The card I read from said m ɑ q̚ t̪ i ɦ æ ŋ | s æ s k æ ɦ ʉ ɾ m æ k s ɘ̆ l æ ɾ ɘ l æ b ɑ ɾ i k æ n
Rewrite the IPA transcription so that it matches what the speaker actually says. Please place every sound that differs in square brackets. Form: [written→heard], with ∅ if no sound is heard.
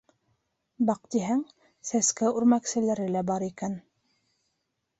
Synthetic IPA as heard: [m→b] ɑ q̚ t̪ i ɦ æ ŋ | s æ s k æ [ɦ→∅] ʉ ɾ m æ k s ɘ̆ l æ ɾ ɘ l æ b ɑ ɾ i k æ n